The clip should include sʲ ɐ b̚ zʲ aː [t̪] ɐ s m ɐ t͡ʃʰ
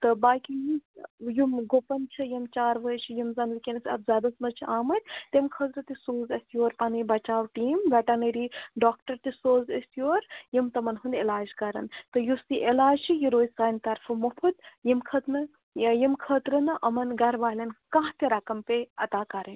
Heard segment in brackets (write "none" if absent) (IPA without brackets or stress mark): d̪